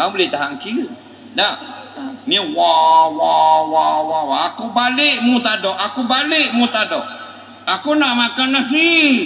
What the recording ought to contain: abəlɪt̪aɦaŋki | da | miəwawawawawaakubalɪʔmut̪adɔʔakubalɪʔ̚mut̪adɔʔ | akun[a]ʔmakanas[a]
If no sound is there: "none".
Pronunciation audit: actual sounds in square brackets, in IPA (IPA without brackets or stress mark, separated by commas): a, i